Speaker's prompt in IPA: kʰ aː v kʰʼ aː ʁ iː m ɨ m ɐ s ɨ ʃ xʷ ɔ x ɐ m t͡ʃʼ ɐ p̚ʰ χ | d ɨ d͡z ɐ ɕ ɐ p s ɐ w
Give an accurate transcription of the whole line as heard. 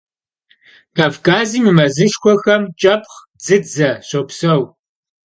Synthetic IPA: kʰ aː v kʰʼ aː z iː m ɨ m ɐ z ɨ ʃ xʷ ɔ x ɐ m t͡ʃʼ ɐ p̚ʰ χ | d͡z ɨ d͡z ɐ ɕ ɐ p s ɐ w